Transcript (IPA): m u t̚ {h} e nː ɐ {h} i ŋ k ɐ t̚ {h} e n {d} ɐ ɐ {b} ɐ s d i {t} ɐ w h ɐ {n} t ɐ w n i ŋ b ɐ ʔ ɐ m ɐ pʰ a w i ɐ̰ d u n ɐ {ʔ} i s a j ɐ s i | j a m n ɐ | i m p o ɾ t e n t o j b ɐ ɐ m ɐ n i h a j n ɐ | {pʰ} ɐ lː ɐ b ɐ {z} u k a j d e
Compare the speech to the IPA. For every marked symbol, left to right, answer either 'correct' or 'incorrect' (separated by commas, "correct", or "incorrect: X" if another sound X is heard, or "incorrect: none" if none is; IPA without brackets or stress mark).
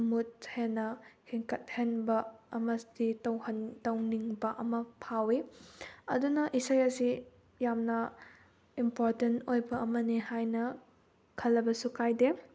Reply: correct, correct, correct, incorrect: b, incorrect: m, correct, correct, correct, incorrect: kʰ, incorrect: s